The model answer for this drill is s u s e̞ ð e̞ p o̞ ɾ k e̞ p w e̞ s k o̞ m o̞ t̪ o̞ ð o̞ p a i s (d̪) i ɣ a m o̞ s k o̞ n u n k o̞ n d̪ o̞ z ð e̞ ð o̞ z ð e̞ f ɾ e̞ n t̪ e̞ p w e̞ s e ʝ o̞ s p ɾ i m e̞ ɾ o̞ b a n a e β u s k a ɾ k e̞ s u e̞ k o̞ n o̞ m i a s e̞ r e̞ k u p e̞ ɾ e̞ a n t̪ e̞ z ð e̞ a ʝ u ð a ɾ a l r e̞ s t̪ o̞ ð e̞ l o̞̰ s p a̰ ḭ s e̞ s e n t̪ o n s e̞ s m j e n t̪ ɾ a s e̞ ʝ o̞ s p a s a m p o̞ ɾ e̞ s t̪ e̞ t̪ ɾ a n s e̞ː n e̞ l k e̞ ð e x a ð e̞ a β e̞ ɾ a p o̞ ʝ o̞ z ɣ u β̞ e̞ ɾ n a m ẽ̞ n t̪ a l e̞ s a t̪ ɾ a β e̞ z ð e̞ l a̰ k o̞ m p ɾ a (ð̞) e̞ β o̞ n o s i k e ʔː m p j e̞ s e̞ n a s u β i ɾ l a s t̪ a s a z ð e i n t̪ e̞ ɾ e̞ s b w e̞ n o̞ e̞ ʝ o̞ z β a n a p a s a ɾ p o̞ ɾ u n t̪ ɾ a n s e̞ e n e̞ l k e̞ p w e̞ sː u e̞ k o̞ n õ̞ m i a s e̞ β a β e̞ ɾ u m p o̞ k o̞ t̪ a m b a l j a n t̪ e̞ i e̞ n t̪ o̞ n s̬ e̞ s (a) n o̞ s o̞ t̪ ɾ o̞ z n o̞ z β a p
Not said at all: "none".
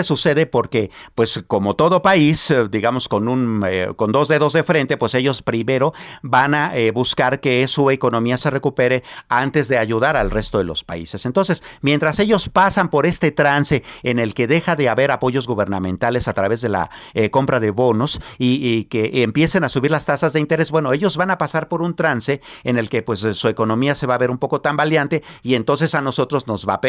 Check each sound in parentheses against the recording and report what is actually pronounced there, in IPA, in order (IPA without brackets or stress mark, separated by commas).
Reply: d̪, ð̞, a